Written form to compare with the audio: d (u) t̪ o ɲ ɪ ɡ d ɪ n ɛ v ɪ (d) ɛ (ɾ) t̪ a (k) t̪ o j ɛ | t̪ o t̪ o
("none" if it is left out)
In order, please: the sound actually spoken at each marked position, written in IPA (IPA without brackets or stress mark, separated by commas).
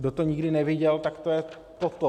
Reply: o, ɟ, l, k